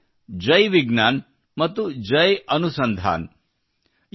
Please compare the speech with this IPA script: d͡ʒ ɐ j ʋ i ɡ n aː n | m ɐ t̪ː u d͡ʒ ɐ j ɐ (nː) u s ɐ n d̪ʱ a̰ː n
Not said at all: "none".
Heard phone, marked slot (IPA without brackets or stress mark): n